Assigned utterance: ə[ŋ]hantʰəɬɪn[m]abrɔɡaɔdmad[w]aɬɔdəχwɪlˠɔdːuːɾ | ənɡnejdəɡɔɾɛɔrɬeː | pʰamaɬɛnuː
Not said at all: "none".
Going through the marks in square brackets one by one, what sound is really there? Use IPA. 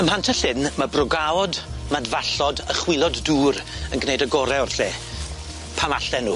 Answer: m, m, v

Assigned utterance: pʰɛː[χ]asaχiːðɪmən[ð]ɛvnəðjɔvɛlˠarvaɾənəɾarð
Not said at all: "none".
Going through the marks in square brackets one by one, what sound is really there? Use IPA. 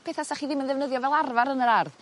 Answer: θ, ð

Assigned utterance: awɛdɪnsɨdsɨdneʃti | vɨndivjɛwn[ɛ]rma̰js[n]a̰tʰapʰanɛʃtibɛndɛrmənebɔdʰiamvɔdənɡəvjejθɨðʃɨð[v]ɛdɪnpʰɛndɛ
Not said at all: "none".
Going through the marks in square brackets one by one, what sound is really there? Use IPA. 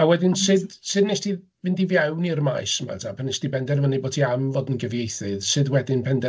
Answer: i, m, w

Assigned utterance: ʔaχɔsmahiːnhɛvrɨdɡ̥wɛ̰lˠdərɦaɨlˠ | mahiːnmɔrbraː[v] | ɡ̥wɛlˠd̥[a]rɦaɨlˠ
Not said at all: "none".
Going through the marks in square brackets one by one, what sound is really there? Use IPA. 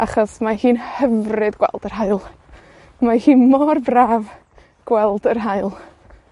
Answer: v, ə

